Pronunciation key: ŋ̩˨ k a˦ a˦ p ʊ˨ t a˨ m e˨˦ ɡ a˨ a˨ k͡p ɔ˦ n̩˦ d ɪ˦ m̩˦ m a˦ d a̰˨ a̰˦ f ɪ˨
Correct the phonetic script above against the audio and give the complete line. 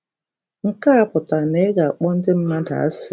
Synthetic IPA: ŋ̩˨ k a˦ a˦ p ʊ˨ t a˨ n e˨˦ ɡ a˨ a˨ k͡p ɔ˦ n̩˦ d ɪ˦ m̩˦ m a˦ d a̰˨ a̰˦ s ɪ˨

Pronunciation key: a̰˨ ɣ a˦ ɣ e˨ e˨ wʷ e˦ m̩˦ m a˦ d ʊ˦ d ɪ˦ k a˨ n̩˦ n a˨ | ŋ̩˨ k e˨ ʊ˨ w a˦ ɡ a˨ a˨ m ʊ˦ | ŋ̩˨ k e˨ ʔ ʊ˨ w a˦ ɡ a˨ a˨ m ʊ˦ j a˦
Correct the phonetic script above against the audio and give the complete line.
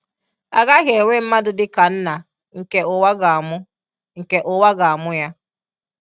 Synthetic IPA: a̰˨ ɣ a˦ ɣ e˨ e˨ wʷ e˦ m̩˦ m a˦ d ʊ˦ d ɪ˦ k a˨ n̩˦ n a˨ | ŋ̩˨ k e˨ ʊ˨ w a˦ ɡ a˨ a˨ m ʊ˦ | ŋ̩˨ k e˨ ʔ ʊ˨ w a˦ ɡ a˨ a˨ m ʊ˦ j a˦

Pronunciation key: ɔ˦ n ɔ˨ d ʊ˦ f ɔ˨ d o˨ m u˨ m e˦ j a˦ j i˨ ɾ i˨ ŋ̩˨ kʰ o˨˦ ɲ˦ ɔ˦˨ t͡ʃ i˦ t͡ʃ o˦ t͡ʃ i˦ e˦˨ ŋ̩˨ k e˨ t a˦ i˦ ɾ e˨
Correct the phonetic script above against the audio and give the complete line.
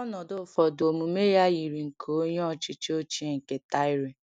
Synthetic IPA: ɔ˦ n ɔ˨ d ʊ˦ f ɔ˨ d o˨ m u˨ m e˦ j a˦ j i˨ ɾ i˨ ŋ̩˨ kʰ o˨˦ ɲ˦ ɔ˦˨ t͡ʃ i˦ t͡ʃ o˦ t͡ʃ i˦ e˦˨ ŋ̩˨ k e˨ t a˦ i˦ ɾ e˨

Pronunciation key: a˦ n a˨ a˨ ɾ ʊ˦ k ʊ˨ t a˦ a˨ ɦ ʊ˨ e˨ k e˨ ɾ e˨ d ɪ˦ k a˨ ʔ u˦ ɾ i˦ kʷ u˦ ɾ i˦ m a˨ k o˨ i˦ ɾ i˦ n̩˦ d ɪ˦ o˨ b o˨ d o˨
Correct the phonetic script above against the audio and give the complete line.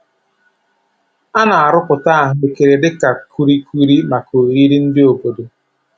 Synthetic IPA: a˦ n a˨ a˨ ɾ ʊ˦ k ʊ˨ t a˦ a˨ ɦ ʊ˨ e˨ k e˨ ɾ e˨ d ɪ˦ k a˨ k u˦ ɾ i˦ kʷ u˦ ɾ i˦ m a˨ k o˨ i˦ ɾ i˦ n̩˦ d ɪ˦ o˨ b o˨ d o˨

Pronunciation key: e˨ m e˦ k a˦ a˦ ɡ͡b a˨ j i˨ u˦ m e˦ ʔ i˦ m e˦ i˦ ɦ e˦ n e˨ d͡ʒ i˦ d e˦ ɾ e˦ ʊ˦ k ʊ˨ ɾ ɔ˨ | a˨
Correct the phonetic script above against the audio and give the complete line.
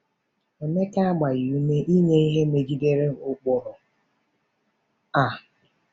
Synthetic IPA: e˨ m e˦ k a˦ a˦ ɡ͡b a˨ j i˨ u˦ m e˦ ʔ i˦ ɲ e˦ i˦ ɦ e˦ m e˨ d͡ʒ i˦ d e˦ ɾ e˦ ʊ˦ k͡p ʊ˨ ɾ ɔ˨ | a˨

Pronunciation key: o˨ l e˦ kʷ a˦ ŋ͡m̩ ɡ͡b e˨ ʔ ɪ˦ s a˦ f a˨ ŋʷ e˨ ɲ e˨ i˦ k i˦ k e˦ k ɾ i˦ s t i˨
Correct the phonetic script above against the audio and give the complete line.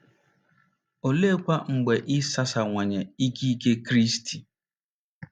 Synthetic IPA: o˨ l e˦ kʷ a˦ ŋ͡m̩ ɡ͡b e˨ ʔ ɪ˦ s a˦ s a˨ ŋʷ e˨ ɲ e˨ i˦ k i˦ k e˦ k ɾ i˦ s t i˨

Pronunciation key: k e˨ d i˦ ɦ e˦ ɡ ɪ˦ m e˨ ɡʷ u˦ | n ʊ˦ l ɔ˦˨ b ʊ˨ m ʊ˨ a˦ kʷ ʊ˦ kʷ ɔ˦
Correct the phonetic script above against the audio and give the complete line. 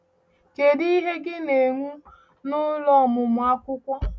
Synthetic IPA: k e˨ d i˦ ɦ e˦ ɡ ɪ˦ n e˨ ŋʷ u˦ | n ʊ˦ l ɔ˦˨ m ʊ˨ m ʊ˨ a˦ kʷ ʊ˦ kʷ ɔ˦

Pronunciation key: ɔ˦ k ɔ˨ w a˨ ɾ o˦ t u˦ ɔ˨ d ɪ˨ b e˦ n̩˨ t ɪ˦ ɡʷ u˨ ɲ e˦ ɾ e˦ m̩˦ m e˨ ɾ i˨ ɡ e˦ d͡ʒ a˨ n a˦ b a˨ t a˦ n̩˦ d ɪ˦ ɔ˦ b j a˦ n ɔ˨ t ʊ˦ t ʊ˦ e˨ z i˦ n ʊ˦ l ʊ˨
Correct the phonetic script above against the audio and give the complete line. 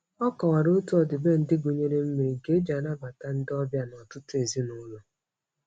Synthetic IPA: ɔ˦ k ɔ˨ w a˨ ɾ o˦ t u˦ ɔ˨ d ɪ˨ b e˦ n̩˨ d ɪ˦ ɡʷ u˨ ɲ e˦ ɾ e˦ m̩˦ m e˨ ɾ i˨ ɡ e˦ d͡ʒ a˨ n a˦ b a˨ t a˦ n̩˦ d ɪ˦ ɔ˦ b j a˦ n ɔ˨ t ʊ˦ t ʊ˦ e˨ z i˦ n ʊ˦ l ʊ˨

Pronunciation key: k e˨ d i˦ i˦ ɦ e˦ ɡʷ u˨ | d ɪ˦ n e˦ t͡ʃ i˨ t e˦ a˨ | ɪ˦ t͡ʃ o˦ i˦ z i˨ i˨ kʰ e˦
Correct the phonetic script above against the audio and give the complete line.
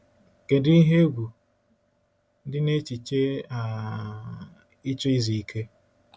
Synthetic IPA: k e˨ d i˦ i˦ ɦ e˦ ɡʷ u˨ | d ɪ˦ n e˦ t͡ʃ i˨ t͡ʃ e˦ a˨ | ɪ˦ t͡ʃ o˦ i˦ z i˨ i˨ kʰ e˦

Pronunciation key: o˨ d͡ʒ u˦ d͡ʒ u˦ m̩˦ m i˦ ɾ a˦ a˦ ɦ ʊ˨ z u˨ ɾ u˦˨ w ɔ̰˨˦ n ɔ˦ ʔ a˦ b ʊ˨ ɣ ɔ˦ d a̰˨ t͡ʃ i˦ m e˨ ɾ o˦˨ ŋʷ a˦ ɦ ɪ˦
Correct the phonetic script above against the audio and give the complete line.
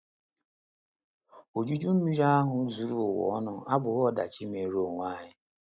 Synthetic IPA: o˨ d͡ʒ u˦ d͡ʒ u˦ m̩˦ m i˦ ɾ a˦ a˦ ɦ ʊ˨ z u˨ ɾ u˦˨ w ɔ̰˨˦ n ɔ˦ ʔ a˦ b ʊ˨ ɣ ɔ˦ d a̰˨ t͡ʃ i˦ m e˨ ɾ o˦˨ ŋʷ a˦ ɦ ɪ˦

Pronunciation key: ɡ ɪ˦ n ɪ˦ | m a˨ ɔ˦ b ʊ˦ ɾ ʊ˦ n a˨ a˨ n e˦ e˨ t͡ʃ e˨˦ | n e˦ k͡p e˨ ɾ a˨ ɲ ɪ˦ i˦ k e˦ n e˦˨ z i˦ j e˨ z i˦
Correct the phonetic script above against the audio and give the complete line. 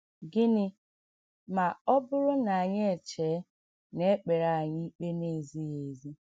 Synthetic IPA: ɡ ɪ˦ n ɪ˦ | m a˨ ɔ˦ b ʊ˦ ɾ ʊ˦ n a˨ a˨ ɲ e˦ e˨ t͡ʃ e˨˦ | n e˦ k͡p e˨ ɾ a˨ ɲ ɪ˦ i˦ k͡p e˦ n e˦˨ z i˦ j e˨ z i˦

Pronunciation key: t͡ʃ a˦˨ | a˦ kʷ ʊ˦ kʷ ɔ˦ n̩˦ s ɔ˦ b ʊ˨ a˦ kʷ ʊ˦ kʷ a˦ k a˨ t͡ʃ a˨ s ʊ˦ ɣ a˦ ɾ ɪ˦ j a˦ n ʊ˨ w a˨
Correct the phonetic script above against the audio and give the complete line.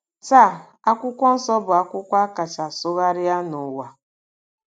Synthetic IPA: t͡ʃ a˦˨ | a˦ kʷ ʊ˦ kʷ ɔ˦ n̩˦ s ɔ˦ b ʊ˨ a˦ kʷ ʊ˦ kʷ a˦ k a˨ t͡ʃ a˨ s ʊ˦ ɣ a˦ ɾ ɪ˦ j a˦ n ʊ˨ w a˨

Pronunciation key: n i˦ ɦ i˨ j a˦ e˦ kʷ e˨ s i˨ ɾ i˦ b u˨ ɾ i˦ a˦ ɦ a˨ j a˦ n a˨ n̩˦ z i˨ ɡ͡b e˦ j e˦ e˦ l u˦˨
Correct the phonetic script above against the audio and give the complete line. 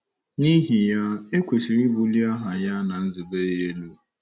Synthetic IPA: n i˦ ɦ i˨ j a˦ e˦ kʷ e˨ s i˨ ɾ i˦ b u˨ l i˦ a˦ ɦ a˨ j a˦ n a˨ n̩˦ z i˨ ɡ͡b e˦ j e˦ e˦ l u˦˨

